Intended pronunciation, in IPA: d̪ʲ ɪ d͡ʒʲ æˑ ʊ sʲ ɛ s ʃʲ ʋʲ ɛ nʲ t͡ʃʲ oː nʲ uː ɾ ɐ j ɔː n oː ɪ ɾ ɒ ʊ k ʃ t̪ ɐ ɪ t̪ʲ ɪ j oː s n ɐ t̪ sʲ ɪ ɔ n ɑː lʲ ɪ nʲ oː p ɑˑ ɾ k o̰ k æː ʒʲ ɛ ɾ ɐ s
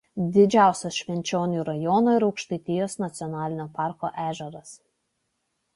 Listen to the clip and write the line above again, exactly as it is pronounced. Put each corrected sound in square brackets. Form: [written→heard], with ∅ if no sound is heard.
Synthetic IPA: d̪ʲ ɪ d͡ʒʲ æˑ ʊ sʲ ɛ s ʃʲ ʋʲ ɛ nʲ t͡ʃʲ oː nʲ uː ɾ ɐ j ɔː n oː ɪ ɾ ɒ ʊ k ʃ t̪ ɐ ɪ t̪ʲ ɪ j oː s n ɐ t̪ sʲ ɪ ɔ n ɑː lʲ ɪ nʲ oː p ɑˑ ɾ k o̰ [k→ʔ] æː ʒʲ ɛ ɾ ɐ s